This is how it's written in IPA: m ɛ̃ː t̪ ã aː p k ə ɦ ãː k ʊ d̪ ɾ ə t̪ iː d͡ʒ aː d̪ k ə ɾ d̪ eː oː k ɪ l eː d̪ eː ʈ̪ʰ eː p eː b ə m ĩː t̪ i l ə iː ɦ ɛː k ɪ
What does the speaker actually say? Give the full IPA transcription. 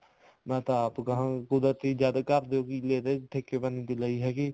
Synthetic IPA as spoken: m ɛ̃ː t̪ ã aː p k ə ɦ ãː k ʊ d̪ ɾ ə t̪ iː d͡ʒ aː d̪ k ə ɾ d̪ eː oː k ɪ l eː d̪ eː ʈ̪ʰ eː k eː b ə n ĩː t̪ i l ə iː ɦ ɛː k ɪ